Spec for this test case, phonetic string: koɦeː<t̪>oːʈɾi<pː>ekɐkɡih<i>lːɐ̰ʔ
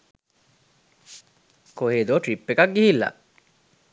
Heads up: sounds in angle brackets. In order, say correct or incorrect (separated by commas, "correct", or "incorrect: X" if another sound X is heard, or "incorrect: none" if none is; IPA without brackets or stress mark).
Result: incorrect: d̪, correct, correct